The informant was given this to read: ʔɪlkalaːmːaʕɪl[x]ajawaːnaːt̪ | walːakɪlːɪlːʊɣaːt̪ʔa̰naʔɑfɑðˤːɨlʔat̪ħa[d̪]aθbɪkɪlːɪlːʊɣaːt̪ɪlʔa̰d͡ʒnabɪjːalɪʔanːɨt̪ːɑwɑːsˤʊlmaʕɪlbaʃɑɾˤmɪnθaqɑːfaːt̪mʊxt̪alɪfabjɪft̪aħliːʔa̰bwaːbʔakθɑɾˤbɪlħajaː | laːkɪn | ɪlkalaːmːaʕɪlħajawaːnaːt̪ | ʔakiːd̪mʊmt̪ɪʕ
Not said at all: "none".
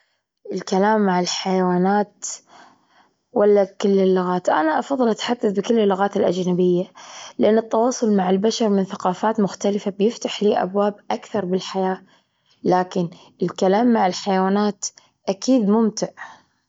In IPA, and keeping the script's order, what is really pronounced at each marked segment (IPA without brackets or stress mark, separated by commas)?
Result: ħ, d̪ː